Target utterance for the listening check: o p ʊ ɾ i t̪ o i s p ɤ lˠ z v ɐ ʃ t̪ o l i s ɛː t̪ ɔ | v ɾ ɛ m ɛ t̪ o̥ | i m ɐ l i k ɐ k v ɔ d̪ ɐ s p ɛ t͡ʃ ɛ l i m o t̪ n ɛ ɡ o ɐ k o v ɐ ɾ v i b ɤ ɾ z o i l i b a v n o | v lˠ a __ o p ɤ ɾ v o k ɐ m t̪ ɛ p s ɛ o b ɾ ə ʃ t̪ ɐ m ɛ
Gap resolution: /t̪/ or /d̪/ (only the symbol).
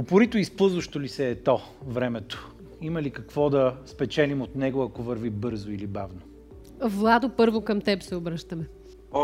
d̪